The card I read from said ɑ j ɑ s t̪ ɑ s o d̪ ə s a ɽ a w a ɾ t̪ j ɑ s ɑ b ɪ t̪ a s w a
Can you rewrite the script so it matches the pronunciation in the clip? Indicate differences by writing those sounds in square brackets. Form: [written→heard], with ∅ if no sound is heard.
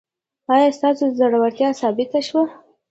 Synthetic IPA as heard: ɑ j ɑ s t̪ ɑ s o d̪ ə [s→z] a ɽ a w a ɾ t̪ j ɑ s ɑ b ɪ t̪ a [s→ʃ] w a